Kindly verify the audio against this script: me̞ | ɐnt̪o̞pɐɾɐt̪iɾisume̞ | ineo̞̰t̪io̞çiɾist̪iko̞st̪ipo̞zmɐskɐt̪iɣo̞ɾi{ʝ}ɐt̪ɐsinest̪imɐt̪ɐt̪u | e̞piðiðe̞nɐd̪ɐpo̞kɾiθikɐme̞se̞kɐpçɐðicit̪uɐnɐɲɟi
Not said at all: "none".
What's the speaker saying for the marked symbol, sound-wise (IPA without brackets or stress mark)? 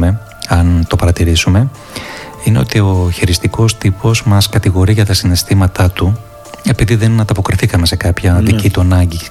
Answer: ʝ